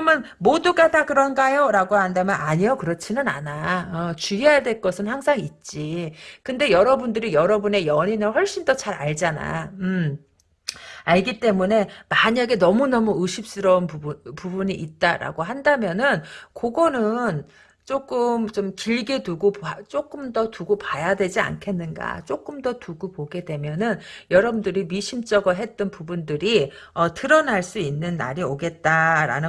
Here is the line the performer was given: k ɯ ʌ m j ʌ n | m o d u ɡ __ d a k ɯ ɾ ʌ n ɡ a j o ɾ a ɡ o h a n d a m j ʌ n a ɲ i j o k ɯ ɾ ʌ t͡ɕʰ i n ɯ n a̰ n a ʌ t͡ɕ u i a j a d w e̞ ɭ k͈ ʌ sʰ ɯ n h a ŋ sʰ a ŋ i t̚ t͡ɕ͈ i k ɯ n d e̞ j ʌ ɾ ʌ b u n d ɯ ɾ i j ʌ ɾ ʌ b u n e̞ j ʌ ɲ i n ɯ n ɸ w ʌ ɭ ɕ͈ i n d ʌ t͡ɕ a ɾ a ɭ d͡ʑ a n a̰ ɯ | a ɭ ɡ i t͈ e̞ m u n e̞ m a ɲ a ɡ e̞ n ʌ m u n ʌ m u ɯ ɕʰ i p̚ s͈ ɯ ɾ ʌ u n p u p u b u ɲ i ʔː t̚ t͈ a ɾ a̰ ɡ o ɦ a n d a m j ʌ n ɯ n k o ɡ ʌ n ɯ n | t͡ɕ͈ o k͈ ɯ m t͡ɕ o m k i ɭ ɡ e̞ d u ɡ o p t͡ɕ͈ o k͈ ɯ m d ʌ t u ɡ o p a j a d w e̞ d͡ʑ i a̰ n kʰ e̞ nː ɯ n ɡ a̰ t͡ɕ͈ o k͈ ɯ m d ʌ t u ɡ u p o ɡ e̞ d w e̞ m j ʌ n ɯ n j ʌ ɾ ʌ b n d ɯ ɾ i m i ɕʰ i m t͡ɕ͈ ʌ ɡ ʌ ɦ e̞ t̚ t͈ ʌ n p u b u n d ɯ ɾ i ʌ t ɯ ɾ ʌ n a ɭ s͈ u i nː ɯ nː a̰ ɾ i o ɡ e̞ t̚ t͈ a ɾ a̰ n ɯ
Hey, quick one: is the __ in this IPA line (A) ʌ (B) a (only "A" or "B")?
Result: B